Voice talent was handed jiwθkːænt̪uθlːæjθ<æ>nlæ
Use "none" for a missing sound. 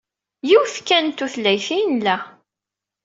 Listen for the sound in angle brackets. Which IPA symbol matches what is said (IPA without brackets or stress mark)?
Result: i